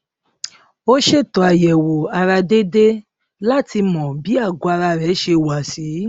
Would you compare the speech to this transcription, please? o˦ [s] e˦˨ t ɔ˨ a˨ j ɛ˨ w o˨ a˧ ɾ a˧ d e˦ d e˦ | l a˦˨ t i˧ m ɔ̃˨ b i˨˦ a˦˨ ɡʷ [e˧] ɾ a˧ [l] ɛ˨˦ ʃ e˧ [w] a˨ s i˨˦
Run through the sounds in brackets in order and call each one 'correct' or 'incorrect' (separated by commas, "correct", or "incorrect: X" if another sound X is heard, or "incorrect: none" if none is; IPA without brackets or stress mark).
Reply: incorrect: ʃ, incorrect: a˧, incorrect: ɾ, correct